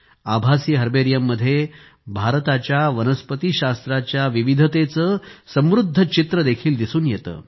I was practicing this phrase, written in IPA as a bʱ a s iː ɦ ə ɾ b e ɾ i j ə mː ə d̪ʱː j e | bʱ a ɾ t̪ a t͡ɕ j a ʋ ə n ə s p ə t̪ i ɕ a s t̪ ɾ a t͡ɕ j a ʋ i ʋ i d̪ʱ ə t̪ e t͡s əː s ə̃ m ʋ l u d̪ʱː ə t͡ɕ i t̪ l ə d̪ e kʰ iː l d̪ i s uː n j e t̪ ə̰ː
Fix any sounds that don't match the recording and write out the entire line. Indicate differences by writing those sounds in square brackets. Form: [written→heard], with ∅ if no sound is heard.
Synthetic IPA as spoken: a bʱ a s iː ɦ ə ɾ b e ɾ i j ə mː ə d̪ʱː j e | bʱ a ɾ t̪ a t͡ɕ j a ʋ ə n ə s p ə t̪ i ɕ a s t̪ ɾ a t͡ɕ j a ʋ i ʋ i d̪ʱ ə t̪ e t͡s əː s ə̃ m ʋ [l→ɾ] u d̪ʱː ə t͡ɕ i t̪ [l→ɾ] ə d̪ e kʰ iː l d̪ i s uː n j e t̪ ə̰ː